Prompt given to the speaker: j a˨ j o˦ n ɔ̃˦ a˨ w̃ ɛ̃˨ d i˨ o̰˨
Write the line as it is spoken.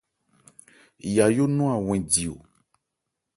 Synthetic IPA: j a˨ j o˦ n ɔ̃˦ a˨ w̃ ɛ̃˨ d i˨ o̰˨